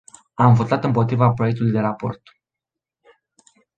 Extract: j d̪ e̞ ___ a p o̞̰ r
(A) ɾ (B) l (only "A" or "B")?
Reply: A